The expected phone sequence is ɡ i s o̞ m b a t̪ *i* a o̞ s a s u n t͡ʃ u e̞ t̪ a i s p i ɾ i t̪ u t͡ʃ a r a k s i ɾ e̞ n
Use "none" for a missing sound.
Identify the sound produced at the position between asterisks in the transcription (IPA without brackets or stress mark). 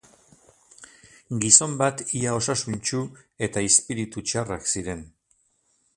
i